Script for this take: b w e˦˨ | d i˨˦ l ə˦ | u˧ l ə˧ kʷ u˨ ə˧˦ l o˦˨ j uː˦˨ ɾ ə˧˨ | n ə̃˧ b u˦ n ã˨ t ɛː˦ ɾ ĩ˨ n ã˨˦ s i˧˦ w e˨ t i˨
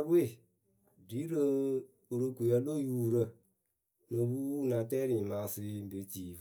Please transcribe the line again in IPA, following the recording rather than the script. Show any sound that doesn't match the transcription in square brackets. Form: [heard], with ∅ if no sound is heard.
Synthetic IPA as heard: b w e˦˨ | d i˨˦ [ɾ] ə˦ | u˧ [ɾ] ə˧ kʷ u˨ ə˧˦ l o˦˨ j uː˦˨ ɾ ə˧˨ | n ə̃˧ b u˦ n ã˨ t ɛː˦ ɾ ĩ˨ [m] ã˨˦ s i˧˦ [b] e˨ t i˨